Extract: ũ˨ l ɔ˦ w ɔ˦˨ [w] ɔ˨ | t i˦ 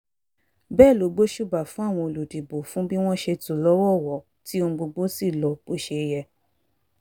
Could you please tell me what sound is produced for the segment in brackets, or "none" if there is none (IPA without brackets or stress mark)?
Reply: w